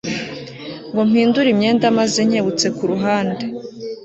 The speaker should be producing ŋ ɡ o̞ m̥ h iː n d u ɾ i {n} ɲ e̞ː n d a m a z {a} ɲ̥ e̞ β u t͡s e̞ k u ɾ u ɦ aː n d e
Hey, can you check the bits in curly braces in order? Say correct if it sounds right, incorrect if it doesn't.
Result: incorrect: m, incorrect: e

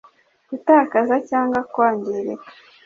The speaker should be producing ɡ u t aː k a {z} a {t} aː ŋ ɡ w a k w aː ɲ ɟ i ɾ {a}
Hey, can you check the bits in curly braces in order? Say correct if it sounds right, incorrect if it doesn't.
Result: correct, incorrect: c, incorrect: e

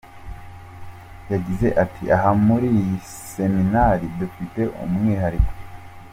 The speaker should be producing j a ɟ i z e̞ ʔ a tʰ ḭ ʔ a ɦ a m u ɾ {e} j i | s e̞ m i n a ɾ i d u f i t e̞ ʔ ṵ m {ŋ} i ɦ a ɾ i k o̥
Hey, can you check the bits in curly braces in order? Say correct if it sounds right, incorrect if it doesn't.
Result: incorrect: i, correct

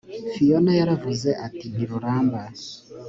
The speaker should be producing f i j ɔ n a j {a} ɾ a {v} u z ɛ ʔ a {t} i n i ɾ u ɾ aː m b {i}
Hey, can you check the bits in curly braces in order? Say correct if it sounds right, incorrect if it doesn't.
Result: correct, correct, correct, incorrect: a

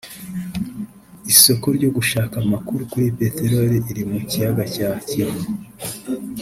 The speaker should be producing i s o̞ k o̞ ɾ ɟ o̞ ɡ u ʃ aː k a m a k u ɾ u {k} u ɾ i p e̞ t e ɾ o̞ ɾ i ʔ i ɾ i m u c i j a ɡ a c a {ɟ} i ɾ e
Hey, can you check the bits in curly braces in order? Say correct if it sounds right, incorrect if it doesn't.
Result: correct, incorrect: c

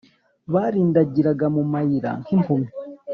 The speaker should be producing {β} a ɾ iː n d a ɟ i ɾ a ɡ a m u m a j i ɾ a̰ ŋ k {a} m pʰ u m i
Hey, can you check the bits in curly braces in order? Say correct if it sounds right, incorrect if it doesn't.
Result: correct, incorrect: i

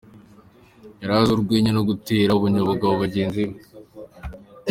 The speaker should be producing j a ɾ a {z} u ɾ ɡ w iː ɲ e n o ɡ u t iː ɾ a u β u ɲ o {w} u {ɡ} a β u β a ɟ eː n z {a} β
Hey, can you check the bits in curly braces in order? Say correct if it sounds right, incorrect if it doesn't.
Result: correct, incorrect: β, correct, incorrect: i

